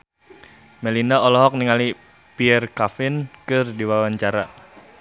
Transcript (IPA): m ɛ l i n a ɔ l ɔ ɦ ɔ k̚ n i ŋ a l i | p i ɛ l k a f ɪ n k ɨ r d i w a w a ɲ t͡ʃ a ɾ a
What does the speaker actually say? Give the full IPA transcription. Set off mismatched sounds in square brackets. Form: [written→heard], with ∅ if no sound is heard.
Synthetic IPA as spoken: m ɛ l i n a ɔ l ɔ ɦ ɔ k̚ n i ŋ a l i | p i ɛ [l→r] k a f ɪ n k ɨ r d i w a w a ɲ t͡ʃ a ɾ a